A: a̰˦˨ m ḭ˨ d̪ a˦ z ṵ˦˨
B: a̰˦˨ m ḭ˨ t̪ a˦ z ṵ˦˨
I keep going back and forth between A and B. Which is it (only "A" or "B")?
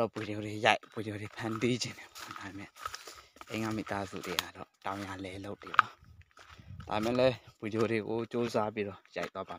B